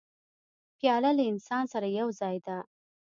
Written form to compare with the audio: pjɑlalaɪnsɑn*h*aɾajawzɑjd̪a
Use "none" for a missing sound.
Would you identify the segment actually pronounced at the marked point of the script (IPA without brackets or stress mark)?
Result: s